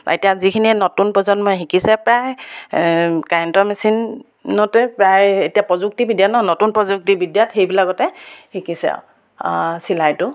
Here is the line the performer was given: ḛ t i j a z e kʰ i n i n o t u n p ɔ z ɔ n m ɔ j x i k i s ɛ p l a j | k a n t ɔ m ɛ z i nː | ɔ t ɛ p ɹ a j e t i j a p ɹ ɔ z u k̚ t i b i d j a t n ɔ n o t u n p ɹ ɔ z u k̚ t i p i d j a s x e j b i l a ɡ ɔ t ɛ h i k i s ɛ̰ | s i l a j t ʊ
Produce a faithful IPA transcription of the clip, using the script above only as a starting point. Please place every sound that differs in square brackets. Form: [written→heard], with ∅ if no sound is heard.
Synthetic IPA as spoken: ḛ t i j a z [e→i] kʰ i n i n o t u n p ɔ z ɔ n m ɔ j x i k i s ɛ p [l→ɹ] a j | k a n t ɔ m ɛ [z→s] i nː | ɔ t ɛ p ɹ a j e t i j a p ɹ ɔ z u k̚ t i b i d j a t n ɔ n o t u n p ɹ ɔ z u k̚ t i [p→b] i d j a [s→t] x e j b i l a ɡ ɔ t ɛ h i k i s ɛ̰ | s i l a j t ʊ